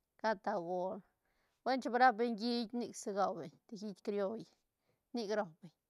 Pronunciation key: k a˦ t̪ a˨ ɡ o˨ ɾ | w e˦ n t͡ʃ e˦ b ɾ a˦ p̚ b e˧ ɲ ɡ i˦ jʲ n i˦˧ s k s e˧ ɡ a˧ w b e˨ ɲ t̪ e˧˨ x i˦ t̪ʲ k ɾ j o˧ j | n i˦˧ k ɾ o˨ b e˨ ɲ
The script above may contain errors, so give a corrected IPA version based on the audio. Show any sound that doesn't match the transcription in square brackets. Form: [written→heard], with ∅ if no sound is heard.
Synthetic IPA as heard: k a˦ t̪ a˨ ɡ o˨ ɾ | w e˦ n t͡ʃ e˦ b ɾ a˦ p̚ b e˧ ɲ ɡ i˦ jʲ n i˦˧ [s→∅] k s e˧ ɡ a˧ w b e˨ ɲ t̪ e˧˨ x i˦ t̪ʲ k ɾ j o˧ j | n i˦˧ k ɾ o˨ b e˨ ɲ

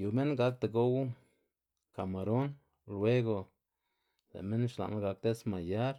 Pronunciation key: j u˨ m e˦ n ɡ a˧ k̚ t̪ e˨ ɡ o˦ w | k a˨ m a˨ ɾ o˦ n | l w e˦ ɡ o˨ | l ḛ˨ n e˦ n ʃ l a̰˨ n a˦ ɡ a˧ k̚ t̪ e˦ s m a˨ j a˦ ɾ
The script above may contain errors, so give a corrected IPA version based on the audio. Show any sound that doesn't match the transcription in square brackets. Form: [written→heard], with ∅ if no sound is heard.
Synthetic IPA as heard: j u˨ m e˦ n ɡ a˧ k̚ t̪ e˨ ɡ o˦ w | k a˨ m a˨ ɾ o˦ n | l w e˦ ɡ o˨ | l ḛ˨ [n→m] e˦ n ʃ l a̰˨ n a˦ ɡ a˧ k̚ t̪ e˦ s m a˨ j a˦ ɾ

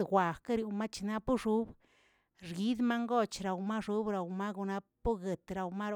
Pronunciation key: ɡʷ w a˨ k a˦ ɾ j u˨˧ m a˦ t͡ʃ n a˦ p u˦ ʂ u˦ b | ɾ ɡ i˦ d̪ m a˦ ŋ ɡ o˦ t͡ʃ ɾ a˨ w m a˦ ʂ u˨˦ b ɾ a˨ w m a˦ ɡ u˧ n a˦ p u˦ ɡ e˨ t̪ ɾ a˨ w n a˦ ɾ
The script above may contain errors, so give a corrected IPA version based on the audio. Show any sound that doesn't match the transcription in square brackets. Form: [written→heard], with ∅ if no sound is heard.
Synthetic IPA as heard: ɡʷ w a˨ k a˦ ɾ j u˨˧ m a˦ t͡ʃ n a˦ p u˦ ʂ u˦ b | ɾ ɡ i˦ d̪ m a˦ ŋ ɡ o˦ t͡ʃ ɾ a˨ w m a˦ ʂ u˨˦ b ɾ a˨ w m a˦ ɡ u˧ n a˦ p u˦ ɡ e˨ t̪ ɾ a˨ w [n→m] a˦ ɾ

